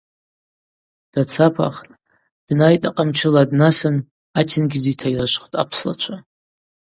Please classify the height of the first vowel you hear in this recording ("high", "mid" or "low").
low